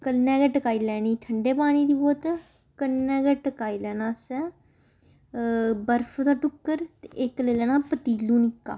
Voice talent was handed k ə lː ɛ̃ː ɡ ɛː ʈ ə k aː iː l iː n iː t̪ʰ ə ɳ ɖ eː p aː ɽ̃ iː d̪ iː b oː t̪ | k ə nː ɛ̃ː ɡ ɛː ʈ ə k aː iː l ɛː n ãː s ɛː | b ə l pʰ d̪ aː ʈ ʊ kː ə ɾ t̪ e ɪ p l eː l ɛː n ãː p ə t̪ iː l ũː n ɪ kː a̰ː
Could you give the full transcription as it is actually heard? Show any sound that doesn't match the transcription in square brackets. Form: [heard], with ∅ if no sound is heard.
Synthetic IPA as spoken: k ə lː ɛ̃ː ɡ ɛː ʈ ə k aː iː l [ɛː] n iː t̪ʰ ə ɳ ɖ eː p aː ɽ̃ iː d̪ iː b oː t̪ | k ə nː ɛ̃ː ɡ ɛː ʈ ə k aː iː l ɛː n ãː s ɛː | b ə [ɾ] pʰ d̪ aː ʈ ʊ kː ə ɾ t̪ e ɪ [k] l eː l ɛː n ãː p ə t̪ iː l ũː n ɪ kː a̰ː